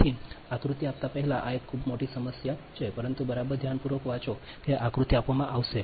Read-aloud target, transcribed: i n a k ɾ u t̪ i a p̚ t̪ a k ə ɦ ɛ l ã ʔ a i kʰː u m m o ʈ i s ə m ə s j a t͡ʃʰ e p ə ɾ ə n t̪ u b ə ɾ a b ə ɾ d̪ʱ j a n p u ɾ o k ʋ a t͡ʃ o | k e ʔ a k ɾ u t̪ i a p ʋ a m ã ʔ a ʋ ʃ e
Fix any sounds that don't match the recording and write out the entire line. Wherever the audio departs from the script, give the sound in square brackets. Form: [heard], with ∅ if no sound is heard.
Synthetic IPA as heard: i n a k ɾ u t̪ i a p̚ t̪ a [p] ə ɦ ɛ l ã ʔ a [e] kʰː u [b] m o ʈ i s ə m ə s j a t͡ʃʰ e p ə ɾ ə n t̪ u b ə ɾ a b ə ɾ d̪ʱ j a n p u ɾ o k ʋ a t͡ʃ o | k e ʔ a k ɾ u t̪ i a p ʋ a m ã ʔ a ʋ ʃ e